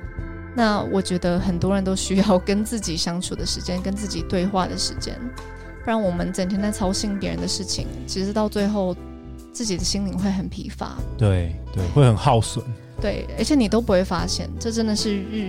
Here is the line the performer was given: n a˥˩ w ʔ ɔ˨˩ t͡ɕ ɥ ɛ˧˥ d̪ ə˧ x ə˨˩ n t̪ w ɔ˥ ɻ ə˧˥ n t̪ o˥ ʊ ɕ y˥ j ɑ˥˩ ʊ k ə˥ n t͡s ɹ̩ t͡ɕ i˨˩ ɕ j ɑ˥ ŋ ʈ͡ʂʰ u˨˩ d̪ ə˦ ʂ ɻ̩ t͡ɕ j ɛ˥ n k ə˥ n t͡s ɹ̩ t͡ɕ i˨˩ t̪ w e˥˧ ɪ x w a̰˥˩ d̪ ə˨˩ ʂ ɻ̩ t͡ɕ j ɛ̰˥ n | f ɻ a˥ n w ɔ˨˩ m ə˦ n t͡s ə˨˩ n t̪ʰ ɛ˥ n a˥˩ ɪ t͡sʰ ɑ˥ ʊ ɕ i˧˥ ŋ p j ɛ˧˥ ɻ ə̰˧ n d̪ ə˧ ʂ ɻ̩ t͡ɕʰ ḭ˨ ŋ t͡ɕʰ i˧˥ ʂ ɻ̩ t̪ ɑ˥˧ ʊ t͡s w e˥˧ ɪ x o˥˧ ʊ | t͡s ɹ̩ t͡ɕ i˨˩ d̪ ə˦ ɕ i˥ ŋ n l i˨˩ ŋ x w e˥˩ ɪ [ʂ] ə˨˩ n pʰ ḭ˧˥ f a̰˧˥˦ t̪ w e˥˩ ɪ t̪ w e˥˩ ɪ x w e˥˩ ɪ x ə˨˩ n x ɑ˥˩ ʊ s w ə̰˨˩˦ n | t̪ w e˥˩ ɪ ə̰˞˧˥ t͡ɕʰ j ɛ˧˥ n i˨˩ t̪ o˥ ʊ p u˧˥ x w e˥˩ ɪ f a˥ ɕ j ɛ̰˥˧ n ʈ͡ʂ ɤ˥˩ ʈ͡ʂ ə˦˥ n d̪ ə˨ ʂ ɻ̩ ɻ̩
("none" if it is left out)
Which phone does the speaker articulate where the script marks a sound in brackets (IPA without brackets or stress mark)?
x